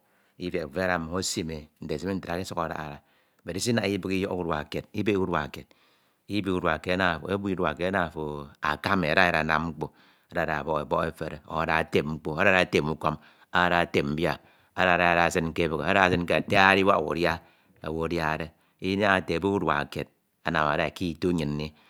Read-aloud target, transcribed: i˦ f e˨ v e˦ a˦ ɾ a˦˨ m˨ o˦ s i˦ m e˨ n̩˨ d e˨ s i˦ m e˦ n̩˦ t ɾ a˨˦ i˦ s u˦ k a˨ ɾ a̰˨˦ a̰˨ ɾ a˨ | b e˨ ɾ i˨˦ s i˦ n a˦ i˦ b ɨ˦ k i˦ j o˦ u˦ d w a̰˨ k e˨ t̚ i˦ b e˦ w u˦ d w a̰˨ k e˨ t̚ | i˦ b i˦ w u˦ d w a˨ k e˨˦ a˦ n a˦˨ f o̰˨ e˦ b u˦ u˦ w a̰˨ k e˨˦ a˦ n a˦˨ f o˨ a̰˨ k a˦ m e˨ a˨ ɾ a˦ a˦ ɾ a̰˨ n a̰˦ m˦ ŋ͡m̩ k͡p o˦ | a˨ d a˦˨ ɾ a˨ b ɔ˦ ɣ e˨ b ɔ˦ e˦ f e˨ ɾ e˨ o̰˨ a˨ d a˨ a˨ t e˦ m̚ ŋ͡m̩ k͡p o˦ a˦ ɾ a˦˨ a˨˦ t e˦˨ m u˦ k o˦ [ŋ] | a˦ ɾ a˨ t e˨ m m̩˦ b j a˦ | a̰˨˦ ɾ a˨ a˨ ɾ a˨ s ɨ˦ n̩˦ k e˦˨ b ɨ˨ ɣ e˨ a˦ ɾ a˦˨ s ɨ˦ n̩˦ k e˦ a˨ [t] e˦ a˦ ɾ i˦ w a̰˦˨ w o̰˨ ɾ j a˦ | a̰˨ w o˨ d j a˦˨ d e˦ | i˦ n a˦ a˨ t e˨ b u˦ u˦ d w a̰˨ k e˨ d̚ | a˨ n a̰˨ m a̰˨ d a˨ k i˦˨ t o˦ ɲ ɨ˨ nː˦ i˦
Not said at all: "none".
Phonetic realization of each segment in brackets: m, t

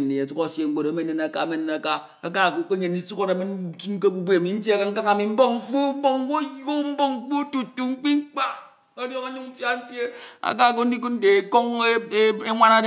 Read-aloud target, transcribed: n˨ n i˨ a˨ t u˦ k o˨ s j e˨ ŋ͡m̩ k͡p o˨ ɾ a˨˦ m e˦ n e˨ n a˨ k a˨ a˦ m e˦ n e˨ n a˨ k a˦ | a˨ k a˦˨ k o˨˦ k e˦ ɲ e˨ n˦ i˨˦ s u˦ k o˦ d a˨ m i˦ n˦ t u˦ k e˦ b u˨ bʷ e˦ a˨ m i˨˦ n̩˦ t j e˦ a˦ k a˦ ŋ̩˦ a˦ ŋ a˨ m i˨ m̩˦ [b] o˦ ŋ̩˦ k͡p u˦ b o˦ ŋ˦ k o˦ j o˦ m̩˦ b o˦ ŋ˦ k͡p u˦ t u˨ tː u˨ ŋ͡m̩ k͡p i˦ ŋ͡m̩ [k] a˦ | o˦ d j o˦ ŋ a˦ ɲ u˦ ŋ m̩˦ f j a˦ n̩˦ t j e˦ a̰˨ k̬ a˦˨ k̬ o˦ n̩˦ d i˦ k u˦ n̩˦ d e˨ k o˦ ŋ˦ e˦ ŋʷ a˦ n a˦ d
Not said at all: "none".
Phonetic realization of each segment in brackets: b, k͡p

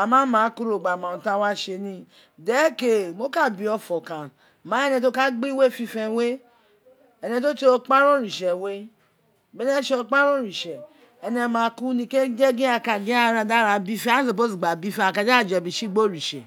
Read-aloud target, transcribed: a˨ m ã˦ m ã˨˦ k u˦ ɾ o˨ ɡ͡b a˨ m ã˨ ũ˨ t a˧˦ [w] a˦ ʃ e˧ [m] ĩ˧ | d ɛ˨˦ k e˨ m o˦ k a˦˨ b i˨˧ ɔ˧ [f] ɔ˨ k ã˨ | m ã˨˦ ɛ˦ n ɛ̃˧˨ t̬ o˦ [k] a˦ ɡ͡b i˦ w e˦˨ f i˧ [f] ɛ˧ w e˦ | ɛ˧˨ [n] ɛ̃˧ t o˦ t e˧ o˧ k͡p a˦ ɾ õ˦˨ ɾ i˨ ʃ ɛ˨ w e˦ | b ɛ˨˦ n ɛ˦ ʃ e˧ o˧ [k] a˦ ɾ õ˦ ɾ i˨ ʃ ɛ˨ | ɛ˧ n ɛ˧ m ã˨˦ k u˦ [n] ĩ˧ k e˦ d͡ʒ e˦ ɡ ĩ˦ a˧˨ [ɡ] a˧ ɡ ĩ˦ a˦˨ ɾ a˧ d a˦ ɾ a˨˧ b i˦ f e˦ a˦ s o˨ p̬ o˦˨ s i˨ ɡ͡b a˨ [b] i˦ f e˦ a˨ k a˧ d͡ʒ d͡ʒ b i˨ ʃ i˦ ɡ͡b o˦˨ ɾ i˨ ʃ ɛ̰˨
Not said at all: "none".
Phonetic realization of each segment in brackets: w, n, f, k, f, n, k͡p, n, k, b

